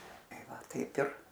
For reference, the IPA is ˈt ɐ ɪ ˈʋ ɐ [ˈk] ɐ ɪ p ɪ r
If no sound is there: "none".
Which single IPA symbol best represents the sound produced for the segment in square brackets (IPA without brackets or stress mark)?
t